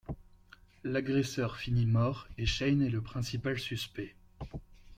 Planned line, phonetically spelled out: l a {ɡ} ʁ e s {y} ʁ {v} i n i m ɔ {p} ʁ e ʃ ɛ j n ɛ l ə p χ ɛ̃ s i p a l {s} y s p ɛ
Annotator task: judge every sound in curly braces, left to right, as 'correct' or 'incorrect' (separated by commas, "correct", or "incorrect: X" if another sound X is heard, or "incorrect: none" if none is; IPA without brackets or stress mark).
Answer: correct, incorrect: œ, incorrect: f, incorrect: none, correct